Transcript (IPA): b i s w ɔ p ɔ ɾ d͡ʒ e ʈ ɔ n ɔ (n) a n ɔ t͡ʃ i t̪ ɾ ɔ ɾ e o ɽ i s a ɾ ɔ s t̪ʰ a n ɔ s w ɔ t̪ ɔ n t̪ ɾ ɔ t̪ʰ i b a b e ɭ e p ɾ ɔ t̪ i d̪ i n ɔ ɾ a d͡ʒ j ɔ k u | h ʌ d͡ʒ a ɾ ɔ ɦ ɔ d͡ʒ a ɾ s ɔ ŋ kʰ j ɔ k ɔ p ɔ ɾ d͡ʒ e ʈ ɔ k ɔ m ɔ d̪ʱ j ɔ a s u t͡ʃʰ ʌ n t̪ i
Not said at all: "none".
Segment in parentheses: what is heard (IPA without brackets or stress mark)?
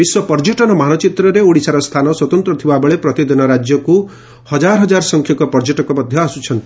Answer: m